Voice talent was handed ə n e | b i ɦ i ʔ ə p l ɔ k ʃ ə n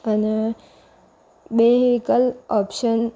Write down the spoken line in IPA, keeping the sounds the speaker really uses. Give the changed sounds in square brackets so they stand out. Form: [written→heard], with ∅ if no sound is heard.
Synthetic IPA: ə n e | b [i→e] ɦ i [ʔ→k] ə [p→∅] l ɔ [k→p] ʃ ə n